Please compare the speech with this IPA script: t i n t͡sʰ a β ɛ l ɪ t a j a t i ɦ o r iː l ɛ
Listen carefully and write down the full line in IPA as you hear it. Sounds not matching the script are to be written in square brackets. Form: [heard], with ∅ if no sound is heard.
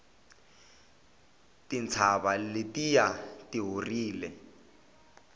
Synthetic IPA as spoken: t i n t͡sʰ a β [a] l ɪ t [i] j a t i ɦ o r iː l ɛ